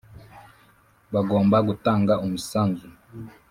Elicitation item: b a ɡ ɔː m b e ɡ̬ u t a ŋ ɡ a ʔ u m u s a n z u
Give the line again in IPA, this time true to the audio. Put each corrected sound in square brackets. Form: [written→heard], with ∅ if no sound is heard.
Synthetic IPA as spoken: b a ɡ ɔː m b [e→a] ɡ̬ u t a ŋ ɡ a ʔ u m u s a n z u